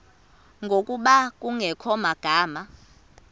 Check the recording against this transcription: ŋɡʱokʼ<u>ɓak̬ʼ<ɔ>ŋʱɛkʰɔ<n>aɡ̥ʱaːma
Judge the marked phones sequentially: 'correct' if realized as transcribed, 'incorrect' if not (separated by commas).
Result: correct, incorrect, incorrect